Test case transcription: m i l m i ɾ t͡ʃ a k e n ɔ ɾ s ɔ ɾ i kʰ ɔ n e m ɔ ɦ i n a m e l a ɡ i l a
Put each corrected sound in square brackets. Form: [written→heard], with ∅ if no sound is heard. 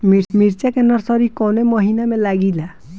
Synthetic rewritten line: m i [l→ɾ] m i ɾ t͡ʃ a k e n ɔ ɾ s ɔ ɾ i [kʰ→k] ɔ n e m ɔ ɦ i n a m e l a ɡ i l a

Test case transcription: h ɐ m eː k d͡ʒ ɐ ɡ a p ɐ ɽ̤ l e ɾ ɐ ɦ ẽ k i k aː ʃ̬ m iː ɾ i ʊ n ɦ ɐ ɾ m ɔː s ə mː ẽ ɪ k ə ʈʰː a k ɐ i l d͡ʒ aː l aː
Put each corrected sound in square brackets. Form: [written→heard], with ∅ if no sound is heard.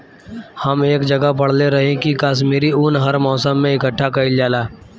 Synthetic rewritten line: h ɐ m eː k d͡ʒ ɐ ɡ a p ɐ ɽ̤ l e ɾ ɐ ɦ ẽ k i k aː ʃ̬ m iː ɾ i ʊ n ɦ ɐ ɾ m ɔː s ə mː ẽ ɪ k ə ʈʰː a k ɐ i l d͡ʒ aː l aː

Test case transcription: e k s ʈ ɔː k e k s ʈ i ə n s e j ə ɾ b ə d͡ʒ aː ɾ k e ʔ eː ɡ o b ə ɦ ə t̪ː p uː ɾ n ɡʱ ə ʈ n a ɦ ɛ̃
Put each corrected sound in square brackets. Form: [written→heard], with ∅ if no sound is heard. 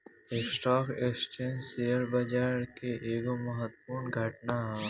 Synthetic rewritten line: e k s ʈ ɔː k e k s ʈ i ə n s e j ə ɾ b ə d͡ʒ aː ɾ k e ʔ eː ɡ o [b→m] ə ɦ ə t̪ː p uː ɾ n ɡʱ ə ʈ n a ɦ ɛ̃

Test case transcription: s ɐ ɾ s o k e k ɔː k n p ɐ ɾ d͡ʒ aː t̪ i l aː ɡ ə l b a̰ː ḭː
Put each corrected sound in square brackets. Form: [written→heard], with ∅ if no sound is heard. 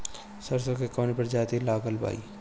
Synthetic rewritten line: s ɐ ɾ s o k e k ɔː [k→∅] n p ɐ ɾ d͡ʒ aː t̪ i l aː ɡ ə l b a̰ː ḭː

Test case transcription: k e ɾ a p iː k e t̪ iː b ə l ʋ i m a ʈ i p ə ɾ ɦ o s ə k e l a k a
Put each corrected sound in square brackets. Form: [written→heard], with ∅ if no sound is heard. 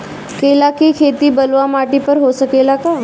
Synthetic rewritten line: k e [ɾ→l] a [p→k] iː [k→kʰ] e t̪ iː b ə l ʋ [i→a] m a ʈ i p ə ɾ ɦ o s ə k e l a k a

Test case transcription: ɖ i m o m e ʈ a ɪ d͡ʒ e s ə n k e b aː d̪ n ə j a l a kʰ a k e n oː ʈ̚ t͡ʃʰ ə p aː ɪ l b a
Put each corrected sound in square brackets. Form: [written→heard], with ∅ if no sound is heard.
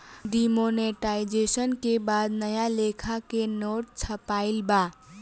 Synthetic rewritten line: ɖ i m o [m→n] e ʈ a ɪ d͡ʒ e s ə n k e b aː d̪ n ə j a l [a→e] kʰ a k e n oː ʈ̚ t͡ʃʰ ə p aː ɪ l b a

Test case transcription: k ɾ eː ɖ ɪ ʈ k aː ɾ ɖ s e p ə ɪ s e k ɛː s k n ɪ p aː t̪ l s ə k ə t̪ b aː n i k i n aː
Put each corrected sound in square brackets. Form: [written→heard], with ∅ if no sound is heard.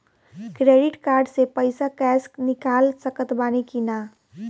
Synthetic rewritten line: k ɾ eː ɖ ɪ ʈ k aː ɾ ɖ s e p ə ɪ s [e→a] k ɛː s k n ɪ [p→k] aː [t̪→∅] l s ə k ə t̪ b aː n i k i n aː

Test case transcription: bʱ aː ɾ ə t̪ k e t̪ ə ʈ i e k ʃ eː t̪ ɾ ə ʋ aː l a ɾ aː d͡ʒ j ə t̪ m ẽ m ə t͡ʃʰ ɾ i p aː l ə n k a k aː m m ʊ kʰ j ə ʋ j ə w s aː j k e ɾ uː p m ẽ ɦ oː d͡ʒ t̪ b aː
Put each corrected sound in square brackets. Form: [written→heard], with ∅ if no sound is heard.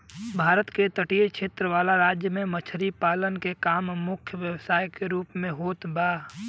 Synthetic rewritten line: bʱ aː ɾ ə t̪ k e t̪ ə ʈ i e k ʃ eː t̪ ɾ ə ʋ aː l a ɾ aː d͡ʒ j ə [t̪→∅] m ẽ m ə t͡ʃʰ ɾ i p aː l ə n k [a→e] k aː m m ʊ kʰ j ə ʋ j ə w s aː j k e ɾ uː p m ẽ ɦ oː [d͡ʒ→∅] t̪ b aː

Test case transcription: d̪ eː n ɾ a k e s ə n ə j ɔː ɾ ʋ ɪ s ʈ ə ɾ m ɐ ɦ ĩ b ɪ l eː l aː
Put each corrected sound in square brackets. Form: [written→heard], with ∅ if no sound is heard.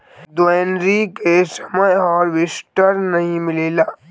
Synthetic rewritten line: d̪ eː n ɾ [a→i] k e s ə [n→m] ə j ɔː ɾ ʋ ɪ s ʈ ə ɾ [m→n] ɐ ɦ ĩ [b→m] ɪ l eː l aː

